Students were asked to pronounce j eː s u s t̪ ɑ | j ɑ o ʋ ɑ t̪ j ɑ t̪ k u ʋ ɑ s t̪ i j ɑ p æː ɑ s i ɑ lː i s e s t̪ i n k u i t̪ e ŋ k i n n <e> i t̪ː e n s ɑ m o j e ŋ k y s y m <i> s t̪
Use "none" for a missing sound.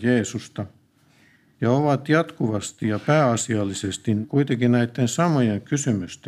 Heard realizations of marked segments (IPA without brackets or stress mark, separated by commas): æ, y